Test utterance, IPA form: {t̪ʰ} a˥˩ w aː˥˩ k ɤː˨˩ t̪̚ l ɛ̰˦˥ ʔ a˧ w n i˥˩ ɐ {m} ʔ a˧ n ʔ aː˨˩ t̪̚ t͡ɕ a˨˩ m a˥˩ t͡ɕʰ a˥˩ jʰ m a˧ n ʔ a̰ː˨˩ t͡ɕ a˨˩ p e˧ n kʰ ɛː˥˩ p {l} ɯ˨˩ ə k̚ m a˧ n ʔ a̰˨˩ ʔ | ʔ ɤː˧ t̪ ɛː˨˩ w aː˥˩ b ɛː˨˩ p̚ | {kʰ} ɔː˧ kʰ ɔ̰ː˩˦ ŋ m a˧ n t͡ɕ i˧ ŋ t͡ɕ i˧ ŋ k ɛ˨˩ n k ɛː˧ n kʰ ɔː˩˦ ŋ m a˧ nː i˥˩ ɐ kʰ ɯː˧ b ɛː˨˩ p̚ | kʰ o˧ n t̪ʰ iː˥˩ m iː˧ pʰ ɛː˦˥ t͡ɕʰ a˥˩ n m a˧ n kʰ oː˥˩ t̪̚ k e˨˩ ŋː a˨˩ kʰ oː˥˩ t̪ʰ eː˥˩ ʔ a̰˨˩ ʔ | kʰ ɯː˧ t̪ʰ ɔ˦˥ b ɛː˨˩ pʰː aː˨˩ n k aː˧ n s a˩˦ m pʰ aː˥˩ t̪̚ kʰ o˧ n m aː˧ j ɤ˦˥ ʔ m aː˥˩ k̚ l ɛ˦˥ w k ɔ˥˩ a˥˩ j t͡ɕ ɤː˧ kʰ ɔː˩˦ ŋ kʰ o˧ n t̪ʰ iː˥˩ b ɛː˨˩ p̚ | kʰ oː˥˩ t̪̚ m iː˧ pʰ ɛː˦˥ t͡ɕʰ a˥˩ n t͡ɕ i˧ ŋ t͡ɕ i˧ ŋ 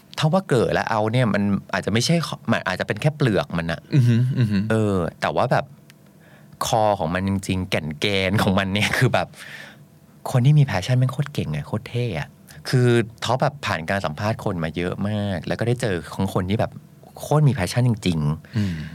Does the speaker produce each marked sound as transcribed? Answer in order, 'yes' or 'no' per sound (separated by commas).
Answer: yes, yes, yes, yes